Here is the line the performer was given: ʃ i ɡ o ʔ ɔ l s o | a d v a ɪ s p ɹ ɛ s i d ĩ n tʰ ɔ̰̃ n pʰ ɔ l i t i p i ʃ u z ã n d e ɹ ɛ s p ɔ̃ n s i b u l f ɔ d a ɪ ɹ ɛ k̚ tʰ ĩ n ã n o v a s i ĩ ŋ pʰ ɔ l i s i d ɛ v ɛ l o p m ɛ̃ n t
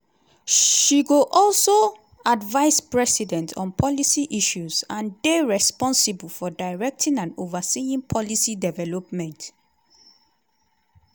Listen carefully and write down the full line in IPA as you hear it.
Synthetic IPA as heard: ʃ i ɡ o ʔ ɔ l s o | a d v a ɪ s p ɹ ɛ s i d ɛ̃ n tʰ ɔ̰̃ n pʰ ɔ l i s i ʔ i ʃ u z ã n d e ɹ ɛ s p ɔ̃ n s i b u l f ɔ d a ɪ ɹ ɛ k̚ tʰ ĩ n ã n o v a s i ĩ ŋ pʰ ɔ l i s i d ɛ v ɛ l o p m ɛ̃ n t